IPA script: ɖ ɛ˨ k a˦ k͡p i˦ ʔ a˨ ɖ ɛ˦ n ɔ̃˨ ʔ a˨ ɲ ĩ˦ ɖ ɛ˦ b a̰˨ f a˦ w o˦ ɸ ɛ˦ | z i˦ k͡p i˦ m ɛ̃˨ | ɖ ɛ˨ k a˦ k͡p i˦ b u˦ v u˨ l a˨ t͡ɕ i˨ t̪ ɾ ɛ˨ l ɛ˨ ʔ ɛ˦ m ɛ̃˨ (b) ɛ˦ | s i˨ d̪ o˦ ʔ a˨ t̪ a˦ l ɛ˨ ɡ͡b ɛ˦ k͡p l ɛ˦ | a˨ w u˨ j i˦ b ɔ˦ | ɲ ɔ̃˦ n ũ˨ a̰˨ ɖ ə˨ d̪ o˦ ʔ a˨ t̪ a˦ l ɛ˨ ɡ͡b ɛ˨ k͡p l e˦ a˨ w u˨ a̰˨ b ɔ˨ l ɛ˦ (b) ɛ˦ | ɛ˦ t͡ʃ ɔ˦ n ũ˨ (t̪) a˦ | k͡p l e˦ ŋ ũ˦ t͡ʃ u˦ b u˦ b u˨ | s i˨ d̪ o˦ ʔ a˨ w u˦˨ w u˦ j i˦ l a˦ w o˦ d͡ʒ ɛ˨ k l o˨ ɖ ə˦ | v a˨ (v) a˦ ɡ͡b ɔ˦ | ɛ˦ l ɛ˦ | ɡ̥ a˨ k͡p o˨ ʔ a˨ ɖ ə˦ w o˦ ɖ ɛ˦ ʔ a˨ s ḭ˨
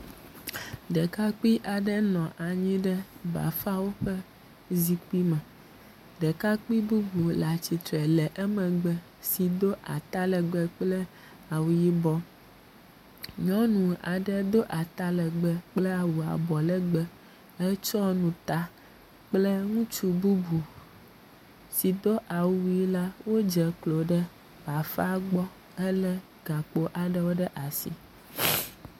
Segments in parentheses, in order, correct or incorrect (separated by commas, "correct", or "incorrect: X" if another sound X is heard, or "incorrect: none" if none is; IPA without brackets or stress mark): incorrect: ɡ͡b, incorrect: ɡ͡b, correct, incorrect: f